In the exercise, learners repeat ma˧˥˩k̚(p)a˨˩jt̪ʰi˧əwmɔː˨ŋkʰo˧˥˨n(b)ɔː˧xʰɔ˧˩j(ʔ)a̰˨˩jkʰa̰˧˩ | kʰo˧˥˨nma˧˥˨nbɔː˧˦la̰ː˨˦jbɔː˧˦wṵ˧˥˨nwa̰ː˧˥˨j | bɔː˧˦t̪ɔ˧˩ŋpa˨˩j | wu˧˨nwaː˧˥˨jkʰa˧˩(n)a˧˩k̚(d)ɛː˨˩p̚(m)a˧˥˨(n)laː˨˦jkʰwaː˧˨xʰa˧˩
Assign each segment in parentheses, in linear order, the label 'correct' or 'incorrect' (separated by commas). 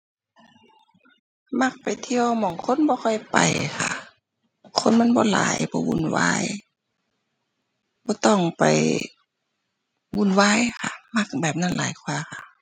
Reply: correct, correct, incorrect, incorrect, incorrect, incorrect, correct